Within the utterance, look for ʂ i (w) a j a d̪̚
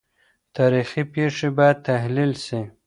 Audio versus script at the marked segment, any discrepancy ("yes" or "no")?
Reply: yes